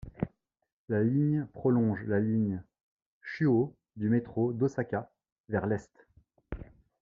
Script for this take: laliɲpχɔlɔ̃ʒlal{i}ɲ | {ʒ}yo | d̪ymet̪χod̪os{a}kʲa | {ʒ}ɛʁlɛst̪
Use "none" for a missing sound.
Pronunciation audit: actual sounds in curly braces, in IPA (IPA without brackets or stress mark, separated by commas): i, ʃ, a, v